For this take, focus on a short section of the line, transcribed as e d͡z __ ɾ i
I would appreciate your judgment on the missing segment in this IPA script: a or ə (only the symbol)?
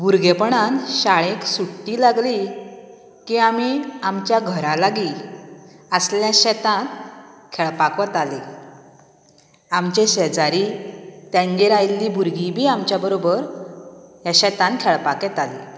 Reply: a